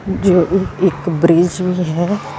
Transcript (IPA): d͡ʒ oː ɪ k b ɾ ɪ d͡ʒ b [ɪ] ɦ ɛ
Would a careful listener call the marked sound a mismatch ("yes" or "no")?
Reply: yes